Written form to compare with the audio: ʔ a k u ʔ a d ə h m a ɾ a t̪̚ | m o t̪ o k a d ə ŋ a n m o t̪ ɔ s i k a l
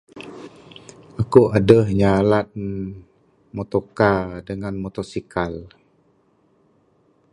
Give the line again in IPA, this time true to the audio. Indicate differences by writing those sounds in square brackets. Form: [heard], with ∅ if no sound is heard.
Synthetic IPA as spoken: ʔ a k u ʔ a d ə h [ɲ] a [l] a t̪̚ | m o t̪ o k a d ə ŋ a n m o t̪ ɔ s i k a l